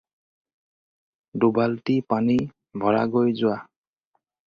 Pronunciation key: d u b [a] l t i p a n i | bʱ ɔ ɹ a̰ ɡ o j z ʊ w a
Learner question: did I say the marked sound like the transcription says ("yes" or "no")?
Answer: yes